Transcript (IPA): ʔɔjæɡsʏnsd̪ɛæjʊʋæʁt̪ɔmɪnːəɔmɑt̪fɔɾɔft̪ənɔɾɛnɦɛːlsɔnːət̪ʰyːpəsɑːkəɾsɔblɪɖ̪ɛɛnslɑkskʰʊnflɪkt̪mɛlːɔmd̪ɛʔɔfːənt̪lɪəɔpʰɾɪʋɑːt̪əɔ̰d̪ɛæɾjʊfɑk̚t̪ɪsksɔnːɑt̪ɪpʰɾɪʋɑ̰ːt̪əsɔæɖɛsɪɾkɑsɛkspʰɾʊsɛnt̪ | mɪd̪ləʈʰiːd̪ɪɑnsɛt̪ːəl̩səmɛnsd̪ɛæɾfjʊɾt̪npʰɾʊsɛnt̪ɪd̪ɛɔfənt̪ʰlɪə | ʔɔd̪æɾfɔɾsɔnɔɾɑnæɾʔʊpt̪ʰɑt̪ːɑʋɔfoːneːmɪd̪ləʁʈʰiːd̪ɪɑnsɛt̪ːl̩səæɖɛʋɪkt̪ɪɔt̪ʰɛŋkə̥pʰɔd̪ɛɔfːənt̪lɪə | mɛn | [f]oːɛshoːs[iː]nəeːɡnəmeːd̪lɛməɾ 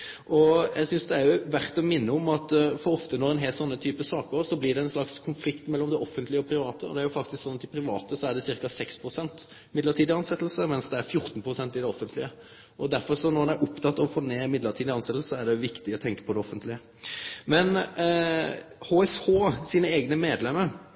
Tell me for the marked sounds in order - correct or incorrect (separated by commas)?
incorrect, correct